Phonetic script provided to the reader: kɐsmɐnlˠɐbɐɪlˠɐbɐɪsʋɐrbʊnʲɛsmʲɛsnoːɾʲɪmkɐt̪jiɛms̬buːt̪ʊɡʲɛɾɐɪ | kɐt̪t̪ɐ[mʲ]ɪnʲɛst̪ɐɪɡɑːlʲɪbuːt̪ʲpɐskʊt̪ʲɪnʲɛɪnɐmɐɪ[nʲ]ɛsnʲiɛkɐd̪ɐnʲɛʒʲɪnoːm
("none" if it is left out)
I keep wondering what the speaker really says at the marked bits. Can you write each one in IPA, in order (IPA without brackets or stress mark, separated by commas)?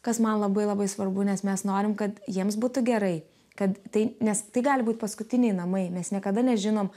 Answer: none, mʲ